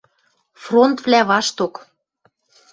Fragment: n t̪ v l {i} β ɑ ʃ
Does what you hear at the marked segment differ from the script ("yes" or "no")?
yes